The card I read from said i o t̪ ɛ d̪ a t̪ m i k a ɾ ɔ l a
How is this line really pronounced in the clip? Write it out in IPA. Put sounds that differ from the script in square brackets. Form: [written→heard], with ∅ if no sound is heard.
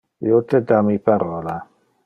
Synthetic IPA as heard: [i→j] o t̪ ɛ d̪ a [t̪→∅] m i [k→p] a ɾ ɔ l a